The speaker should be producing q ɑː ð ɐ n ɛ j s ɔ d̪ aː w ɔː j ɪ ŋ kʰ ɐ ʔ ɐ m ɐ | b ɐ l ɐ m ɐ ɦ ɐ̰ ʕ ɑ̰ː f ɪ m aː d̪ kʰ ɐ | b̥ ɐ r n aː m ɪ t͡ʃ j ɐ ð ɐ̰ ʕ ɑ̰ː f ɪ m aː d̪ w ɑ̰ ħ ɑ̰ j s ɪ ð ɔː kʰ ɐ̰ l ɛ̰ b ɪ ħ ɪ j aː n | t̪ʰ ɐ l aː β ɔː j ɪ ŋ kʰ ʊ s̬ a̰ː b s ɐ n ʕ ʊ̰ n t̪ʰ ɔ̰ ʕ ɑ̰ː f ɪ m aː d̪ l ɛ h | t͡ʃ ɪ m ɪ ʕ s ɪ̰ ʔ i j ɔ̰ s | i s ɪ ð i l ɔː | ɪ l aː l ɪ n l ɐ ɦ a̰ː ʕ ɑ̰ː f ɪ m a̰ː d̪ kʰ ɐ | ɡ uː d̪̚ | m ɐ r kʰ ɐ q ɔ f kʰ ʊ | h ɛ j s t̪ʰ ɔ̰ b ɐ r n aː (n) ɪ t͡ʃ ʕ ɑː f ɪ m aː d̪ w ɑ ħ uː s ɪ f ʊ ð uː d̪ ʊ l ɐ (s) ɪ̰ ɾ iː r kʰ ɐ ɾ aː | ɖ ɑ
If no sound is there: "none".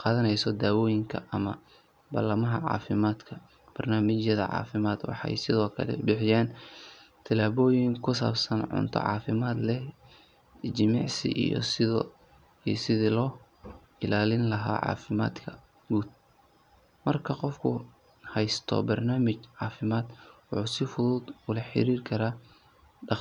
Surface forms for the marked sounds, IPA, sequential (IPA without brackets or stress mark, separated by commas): m, ħ